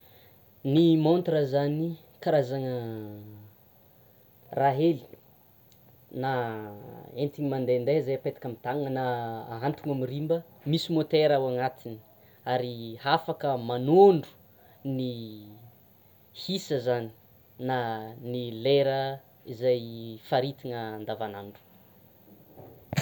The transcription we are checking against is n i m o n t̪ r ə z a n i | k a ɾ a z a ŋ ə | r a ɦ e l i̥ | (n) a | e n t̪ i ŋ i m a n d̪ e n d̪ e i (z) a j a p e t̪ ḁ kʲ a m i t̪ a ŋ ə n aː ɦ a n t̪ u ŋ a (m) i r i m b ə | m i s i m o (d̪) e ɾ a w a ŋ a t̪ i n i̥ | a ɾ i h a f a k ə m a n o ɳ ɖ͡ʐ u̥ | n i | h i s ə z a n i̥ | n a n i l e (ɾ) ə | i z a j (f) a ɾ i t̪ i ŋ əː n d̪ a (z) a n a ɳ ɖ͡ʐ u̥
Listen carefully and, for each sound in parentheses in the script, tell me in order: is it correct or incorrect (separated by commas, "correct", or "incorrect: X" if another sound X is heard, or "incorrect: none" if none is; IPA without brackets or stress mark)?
correct, correct, correct, incorrect: t̪, correct, correct, incorrect: v